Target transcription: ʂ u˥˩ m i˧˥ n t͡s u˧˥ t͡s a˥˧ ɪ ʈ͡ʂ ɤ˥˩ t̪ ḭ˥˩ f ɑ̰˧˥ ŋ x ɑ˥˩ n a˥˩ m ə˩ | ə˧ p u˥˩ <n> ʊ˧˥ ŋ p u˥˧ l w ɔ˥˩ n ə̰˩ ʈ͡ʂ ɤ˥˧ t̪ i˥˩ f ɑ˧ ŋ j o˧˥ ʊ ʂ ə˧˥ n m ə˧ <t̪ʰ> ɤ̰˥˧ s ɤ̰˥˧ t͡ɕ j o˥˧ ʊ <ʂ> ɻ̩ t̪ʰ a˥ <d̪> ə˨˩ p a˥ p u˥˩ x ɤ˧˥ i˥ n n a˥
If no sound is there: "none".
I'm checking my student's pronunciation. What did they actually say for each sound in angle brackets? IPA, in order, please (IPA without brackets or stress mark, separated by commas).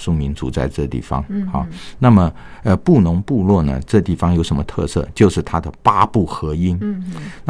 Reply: n, t̪ʰ, ʂ, d̪